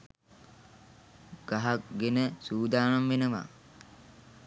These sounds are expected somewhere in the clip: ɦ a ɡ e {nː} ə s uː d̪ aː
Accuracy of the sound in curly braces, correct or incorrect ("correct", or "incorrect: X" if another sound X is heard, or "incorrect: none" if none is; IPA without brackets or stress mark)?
incorrect: n